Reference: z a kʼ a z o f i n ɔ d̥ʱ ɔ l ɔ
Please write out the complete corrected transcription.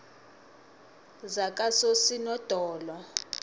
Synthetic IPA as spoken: z a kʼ a s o s i n ɔ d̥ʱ ɔː l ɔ